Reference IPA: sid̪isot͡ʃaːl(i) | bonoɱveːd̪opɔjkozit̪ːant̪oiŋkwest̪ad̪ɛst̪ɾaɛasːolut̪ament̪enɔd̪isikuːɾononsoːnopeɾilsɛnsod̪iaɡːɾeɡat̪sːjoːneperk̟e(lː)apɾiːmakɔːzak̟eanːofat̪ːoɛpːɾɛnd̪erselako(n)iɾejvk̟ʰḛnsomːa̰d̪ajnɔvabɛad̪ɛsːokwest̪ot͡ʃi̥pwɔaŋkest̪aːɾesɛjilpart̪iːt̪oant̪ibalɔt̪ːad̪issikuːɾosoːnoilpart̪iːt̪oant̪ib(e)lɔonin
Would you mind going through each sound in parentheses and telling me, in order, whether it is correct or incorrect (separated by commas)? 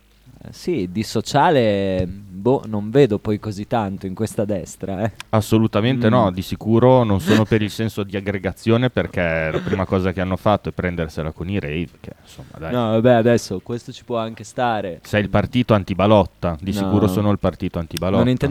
incorrect, incorrect, correct, incorrect